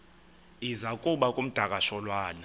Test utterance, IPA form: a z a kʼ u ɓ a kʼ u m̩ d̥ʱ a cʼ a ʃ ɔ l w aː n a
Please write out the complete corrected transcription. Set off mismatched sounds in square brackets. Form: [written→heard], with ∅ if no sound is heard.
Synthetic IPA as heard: [a→i] z a kʼ u ɓ a kʼ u m̩ d̥ʱ a [cʼ→kʼ] a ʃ ɔ l w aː n a